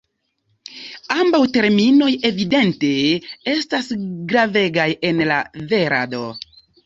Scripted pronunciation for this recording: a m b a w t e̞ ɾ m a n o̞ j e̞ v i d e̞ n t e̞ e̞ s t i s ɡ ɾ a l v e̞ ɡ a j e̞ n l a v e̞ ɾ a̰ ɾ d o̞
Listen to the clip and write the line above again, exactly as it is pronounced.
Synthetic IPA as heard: a m b a w t e̞ ɾ m i n o̞ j e̞ v i d e̞ n t e̞ e̞ s t a s ɡ ɾ a v e̞ ɡ a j e̞ n l a v e̞ ɾ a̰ d o̞

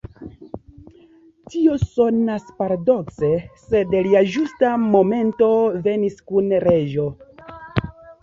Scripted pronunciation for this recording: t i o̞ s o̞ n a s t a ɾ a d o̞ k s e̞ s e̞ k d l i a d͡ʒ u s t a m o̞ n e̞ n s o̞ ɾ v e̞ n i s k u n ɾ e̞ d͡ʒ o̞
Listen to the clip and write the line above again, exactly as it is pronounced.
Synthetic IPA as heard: t i o̞ s o̞ n a s p a ɾ a d o̞ k s e̞ s e̞ d l i a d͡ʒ u s t a m o̞ m e̞ n t o̞ v e̞ n i s k u n ɾ e̞ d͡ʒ o̞

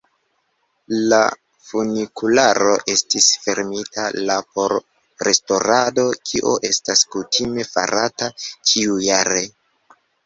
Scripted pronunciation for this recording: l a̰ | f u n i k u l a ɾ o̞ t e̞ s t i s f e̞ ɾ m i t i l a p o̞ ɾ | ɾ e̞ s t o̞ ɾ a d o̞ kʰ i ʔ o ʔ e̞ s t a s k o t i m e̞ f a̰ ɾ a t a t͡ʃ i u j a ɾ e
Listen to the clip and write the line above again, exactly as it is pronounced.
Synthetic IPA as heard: l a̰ | f u n i k u l a ɾ o̞ ʔ e̞ s t i s f e̞ ɾ m i t a l a p o̞ ɾ | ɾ e̞ s t o̞ ɾ a d o̞ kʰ i ʔ o ʔ e̞ s t a s k u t i m e̞ f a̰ ɾ a t a t͡ʃ i u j a ɾ e

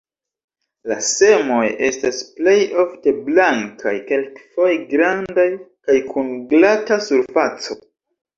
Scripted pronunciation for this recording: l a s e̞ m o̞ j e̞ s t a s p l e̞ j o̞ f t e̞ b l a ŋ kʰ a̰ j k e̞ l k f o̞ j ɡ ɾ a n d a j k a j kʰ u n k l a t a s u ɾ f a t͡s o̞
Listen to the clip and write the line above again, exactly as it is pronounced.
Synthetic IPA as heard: l a s e̞ m o̞ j e̞ s t a s p l e̞ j o̞ f t e̞ b l a ŋ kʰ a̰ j k e̞ l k f o̞ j ɡ ɾ a n d a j k a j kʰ u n ɡ l a t a s u ɾ f a t͡s o̞

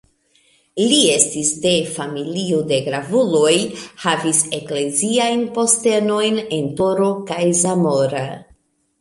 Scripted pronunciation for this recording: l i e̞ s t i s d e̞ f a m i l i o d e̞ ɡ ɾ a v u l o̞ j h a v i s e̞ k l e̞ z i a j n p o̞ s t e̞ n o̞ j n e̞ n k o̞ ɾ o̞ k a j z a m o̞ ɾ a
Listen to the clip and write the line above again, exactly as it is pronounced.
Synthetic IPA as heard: l i e̞ s t i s d e̞ f a m i l i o d e̞ ɡ ɾ a v u l o̞ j h a v i s e̞ k l e̞ z i a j n p o̞ s t e̞ n o̞ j n e̞ n t o̞ ɾ o̞ k a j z a m o̞ ɾ a

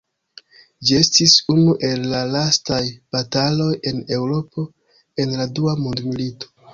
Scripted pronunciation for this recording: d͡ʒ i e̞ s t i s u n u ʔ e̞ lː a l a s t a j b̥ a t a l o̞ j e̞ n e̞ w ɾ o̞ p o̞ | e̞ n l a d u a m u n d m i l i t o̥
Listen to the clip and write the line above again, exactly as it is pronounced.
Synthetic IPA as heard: d͡ʒ i e̞ s t i s u n u ʔ e̞ lː a l a s t a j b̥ a t a l o̞ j e̞ n e̞ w ɾ o̞ p o̞ | e̞ n l a d u a m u n d m i l i t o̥

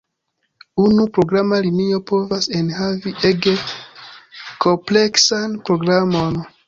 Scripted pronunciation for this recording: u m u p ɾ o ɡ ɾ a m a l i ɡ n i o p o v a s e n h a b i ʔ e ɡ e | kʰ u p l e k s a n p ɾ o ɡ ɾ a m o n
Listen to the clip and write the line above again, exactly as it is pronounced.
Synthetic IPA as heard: u n u p ɾ o ɡ ɾ a m a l i n i o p o v a s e n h a v i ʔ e ɡ e | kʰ o p l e k s a n p ɾ o ɡ ɾ a m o n

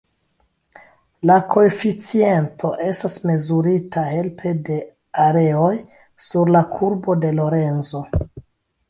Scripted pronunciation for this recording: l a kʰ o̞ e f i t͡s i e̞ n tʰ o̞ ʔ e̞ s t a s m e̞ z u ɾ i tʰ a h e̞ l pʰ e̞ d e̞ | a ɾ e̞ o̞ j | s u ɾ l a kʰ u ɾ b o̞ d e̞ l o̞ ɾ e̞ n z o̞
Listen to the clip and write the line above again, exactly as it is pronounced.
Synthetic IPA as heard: l a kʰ o̞ e f i t͡s i e̞ n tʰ o̞ ʔ e̞ s t a s m e̞ z u ɾ i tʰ a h e̞ l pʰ e̞ d e̞ | a ɾ e̞ o̞ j | s u ɾ l a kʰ u ɾ b o̞ d e̞ l o̞ ɾ e̞ n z o̞

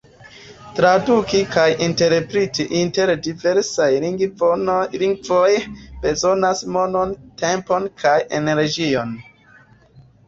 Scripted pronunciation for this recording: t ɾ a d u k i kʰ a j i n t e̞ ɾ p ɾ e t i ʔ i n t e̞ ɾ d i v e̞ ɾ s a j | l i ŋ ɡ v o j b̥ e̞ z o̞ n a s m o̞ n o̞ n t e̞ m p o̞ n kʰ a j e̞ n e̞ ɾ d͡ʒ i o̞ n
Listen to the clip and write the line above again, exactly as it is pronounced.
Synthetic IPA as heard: t ɾ a d u k i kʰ a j i n t e̞ ɾ p ɾ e t i ʔ i n t e̞ ɾ d i v e̞ ɾ s a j | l i ŋ ɡ v o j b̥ e̞ z o̞ n a s m o̞ n o̞ n t e̞ m p o̞ n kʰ a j e̞ n e̞ ɾ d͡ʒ i o̞ n

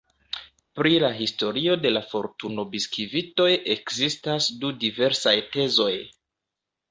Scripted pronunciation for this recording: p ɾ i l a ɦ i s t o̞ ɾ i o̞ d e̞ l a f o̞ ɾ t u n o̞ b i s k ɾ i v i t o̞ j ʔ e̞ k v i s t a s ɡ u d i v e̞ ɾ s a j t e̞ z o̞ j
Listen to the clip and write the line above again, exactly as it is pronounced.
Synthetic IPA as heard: p ɾ i l a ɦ i s t o̞ ɾ i o̞ d e̞ l a f o̞ ɾ t u n o̞ b i s k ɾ i v i t o̞ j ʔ e̞ k z i s t a s d u d i v e̞ ɾ s a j t e̞ z o̞ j

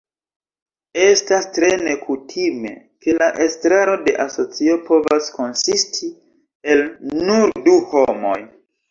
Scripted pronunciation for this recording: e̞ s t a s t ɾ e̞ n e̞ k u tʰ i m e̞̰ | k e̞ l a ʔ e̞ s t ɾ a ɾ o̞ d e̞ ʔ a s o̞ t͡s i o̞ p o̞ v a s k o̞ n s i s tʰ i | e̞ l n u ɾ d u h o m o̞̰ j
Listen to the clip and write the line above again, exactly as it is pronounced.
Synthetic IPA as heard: e̞ s t a s t ɾ e̞ n e̞ k u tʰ i m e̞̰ | k e̞ l a ʔ e̞ s t ɾ a ɾ o̞ d e̞ ʔ a s o̞ t͡s i o̞ p o̞ v a s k o̞ n s i s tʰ i | e̞ l n u ɾ d u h o m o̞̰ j

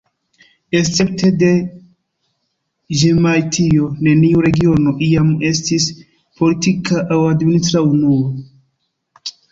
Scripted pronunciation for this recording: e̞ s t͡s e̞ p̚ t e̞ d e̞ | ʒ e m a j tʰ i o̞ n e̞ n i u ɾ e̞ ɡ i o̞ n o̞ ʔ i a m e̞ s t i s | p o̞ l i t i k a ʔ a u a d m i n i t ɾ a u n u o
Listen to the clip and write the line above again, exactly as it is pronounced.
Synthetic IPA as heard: e̞ s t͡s e̞ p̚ t e̞ d e̞ | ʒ e m a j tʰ i o̞ n e̞ n i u ɾ e̞ ɡ i o̞ n o̞ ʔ i a m e̞ s t i s | p o̞ l i t i k a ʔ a w a d m i n i t ɾ a u n u o

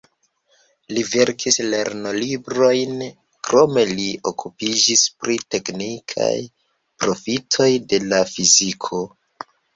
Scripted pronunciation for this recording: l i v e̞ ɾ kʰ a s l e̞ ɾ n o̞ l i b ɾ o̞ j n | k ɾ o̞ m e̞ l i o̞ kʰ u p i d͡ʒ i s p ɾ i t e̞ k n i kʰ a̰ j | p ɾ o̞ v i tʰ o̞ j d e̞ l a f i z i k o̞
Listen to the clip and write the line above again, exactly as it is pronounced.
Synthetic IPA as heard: l i v e̞ ɾ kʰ i s l e̞ ɾ n o̞ l i b ɾ o̞ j n | k ɾ o̞ m e̞ l i o̞ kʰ u p i d͡ʒ i s p ɾ i t e̞ k n i kʰ a̰ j | p ɾ o̞ f i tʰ o̞ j d e̞ l a f i z i kʰ o̞

